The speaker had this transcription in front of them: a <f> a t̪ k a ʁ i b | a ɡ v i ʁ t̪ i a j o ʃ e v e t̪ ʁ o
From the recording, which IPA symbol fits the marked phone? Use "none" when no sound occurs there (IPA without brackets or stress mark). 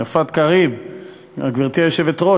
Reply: f